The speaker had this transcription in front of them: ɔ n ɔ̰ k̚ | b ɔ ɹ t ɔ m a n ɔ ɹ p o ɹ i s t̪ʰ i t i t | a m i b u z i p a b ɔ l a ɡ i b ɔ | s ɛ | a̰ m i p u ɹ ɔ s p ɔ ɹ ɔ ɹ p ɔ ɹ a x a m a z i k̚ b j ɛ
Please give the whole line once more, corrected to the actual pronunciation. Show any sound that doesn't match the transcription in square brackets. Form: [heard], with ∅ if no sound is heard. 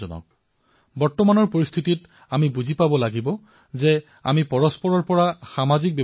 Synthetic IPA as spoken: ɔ n ɔ̰ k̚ | b ɔ ɹ t ɔ m a n ɔ ɹ p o ɹ i s t̪ʰ i t i t | a m i b u z i p a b ɔ l a ɡ i b ɔ | [z] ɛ | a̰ m i p [ɔ] ɹ ɔ s p ɔ ɹ ɔ ɹ p ɔ ɹ a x a m a z i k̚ b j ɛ